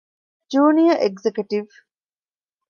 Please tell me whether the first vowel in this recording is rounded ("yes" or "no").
yes